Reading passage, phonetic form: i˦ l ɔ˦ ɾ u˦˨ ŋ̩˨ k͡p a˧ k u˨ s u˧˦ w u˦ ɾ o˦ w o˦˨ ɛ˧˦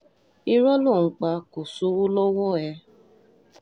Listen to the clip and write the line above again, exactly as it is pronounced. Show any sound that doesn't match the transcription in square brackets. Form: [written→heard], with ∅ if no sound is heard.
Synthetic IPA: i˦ [l→ɾ] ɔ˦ [ɾ→l] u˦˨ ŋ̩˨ k͡p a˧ k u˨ s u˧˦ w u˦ [ɾ→l] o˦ w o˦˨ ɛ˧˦